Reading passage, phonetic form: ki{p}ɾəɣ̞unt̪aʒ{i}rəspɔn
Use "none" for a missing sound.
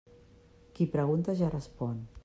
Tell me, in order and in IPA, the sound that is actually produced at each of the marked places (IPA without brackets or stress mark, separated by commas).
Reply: p, a